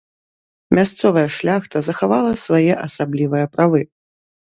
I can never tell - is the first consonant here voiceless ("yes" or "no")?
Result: no